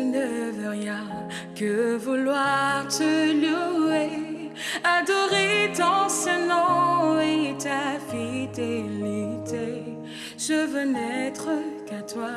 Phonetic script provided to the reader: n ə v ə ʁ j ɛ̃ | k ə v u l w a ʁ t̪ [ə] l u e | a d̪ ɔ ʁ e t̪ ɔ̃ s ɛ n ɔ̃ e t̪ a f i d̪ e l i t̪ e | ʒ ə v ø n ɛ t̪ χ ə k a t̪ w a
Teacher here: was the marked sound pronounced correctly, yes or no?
yes